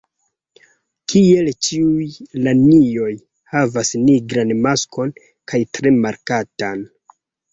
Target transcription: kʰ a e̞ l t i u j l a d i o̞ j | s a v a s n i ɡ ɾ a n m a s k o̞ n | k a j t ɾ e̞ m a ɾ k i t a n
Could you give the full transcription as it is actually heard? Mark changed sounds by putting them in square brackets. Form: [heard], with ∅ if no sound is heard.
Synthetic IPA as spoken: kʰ [i] e̞ l [t͡ʃ] i u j l a [n] i o̞ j | [h] a v a s n i ɡ ɾ a n m a s k o̞ n | k a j t ɾ e̞ m a ɾ k [a] t a n